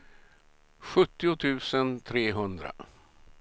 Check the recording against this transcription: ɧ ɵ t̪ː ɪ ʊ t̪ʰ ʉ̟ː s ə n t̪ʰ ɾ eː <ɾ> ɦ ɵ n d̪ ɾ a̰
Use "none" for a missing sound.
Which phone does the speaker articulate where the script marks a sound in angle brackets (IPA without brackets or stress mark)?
none